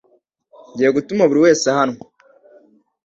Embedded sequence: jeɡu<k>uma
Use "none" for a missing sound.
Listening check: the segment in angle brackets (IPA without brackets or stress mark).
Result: t